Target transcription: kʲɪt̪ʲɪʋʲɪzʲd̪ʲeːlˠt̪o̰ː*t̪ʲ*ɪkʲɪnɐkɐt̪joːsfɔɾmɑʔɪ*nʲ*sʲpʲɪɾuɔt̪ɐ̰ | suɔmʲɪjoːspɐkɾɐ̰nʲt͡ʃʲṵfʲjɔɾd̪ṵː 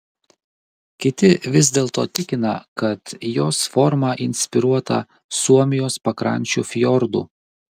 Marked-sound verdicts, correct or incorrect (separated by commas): correct, correct